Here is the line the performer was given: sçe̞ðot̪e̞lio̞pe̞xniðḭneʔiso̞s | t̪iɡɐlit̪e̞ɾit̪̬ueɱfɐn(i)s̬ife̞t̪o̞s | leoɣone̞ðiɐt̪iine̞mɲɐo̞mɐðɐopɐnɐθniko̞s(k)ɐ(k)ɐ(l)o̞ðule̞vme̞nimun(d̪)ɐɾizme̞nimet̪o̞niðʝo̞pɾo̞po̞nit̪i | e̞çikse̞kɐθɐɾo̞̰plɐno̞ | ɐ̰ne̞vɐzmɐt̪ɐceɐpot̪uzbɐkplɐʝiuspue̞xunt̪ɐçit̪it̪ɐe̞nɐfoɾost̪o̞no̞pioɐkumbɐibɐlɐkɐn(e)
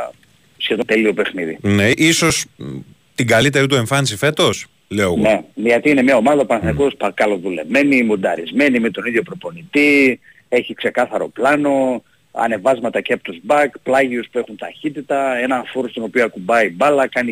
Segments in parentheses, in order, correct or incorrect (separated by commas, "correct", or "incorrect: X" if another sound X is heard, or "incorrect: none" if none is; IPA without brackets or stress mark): correct, incorrect: p, correct, correct, correct, incorrect: i